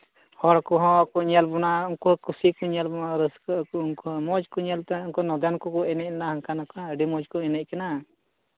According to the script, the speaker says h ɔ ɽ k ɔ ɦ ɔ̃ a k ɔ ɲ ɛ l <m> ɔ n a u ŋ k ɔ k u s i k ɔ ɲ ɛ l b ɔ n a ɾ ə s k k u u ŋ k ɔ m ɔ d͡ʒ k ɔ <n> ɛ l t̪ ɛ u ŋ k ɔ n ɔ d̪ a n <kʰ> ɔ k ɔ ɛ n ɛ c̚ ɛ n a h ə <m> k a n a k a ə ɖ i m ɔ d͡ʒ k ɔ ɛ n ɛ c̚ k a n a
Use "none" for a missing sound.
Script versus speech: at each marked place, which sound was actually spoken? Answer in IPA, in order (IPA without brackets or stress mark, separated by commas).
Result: b, ɲ, k, ŋ